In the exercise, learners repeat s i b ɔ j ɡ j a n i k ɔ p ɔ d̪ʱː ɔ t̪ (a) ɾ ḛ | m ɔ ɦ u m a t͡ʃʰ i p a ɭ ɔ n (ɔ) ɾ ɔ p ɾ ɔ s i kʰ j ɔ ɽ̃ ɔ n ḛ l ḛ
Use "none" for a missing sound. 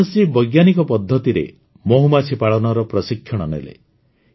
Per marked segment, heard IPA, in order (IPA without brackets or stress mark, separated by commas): i, ɔ